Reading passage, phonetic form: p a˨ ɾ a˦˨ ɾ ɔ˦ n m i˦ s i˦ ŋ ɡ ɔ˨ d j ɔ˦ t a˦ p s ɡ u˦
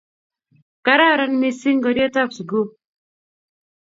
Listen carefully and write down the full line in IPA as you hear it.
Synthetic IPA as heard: k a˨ ɾ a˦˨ ɾ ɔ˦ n m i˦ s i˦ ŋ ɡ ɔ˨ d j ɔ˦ t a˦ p s ɡ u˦

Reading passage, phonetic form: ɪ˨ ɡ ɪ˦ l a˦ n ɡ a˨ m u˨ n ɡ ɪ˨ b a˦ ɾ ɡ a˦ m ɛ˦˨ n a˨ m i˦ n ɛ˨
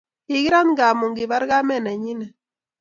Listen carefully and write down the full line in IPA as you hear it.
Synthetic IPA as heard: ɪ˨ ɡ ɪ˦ ɾ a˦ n ɡ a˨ m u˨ ŋ ɡ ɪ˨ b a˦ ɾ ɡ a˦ m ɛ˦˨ n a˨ ɲ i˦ n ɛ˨

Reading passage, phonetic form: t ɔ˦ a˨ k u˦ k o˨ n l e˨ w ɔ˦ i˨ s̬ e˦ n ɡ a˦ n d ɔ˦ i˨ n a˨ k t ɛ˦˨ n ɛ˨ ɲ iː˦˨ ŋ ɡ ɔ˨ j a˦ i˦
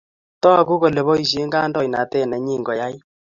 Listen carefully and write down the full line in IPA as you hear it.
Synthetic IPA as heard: t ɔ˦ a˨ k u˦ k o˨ l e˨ β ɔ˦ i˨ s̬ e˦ ŋ ɡ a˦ n d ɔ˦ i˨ n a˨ t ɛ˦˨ n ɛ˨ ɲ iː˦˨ ŋ ɡ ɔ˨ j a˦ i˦

